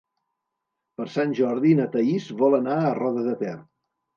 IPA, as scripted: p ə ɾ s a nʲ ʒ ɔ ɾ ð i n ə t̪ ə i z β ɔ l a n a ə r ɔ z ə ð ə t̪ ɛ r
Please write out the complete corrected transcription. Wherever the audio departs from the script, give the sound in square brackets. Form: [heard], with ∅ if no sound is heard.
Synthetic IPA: p ə ɾ s a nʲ ʒ ɔ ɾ ð i n ə t̪ ə i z β ɔ l [ə] n a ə r ɔ [ð] ə ð ə t̪ ɛ r